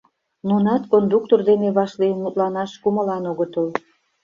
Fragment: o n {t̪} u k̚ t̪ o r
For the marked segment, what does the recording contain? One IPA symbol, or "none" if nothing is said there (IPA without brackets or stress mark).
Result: d̪